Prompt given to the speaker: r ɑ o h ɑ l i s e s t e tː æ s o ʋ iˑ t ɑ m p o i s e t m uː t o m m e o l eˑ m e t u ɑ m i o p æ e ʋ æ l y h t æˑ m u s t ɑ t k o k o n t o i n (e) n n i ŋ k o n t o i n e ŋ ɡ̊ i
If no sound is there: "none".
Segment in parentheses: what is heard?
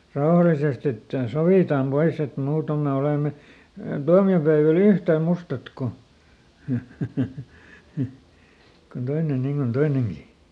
e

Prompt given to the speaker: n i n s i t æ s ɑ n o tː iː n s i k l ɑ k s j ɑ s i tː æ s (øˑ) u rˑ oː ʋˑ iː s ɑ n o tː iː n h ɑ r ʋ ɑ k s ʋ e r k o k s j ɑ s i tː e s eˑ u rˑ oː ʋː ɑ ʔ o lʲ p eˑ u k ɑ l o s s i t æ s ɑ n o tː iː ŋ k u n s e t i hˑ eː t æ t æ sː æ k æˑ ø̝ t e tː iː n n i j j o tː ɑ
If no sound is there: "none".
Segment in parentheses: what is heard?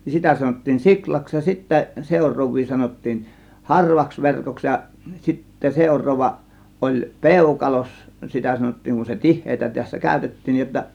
eˑ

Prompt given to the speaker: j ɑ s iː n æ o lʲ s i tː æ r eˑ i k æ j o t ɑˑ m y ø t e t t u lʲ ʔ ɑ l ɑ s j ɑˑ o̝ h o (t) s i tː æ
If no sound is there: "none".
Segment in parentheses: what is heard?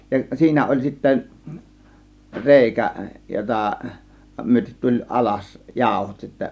t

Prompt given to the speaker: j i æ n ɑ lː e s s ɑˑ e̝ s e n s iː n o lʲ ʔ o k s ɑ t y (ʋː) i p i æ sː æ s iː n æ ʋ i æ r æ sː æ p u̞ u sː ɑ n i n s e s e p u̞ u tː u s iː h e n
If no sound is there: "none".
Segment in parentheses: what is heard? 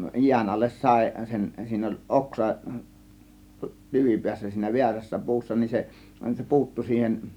ʋ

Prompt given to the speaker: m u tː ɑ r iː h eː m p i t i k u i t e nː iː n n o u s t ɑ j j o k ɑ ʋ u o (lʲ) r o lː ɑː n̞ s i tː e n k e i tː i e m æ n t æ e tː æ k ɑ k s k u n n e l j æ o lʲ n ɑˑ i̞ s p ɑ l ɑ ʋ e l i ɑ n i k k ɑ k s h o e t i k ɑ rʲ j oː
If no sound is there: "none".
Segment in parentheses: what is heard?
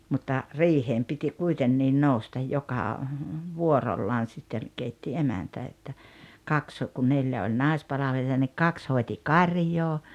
none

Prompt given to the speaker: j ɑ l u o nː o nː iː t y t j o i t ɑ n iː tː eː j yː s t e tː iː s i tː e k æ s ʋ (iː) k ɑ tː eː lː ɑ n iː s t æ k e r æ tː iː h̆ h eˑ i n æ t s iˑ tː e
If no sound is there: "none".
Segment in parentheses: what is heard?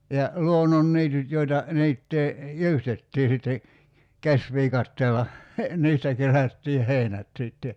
iː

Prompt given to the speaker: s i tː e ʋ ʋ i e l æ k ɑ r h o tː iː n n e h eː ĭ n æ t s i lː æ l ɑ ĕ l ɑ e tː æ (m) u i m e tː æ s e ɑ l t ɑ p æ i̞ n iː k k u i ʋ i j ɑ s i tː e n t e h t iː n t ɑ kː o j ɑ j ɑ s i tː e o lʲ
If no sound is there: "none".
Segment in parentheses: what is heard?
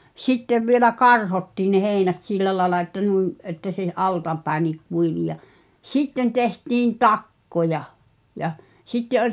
n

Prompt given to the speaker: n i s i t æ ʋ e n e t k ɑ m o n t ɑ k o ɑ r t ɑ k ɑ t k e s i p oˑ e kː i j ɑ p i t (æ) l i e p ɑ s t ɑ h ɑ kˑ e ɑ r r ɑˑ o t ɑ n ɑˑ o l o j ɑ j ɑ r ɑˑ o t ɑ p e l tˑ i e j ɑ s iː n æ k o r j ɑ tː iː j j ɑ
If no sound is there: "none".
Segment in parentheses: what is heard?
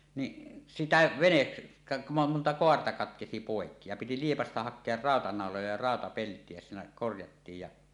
i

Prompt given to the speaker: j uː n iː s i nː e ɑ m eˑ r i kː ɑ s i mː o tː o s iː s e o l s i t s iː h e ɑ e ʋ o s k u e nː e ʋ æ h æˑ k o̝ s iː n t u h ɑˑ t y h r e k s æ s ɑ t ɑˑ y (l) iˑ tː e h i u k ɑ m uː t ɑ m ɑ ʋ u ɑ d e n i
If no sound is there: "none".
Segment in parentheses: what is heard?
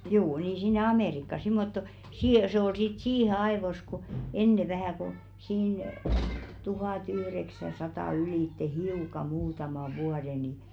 l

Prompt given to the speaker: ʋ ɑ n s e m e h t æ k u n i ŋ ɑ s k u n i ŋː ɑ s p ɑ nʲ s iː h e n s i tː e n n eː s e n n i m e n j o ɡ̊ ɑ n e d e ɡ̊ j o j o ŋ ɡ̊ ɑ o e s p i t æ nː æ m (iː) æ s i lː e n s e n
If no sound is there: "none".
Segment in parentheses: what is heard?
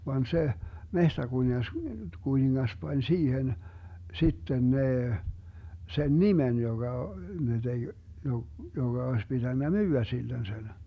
yː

